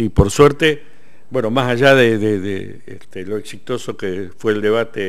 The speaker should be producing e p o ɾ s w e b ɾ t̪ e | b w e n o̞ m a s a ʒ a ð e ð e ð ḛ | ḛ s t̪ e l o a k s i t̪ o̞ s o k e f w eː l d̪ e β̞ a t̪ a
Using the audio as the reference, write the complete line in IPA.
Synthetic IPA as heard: i p o ɾ s w e ɾ t̪ e | b w e n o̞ m a s a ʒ a ð e ð e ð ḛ | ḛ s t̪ e l o e k s i t̪ o̞ s o k e f w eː l d̪ e β̞ a t̪ e